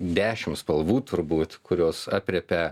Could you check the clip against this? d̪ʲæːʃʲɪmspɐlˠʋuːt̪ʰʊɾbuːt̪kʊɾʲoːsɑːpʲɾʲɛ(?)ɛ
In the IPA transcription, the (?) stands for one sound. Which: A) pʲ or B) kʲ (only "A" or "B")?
A